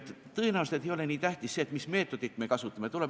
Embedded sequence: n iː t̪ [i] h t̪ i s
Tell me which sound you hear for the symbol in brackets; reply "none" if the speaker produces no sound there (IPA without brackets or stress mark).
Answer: æ